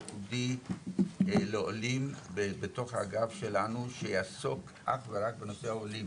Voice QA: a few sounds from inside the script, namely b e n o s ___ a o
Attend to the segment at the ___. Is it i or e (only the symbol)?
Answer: e